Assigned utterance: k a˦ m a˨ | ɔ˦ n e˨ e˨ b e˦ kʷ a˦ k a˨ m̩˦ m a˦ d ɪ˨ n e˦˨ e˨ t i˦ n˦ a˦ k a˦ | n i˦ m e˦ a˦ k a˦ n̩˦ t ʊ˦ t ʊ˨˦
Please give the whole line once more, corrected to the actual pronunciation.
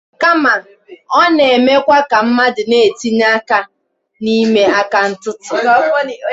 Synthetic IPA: k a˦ m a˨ | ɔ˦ n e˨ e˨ m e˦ kʷ a˦ k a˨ m̩˦ m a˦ d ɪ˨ n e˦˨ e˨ t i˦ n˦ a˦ k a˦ | n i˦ m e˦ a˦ k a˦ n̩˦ t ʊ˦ t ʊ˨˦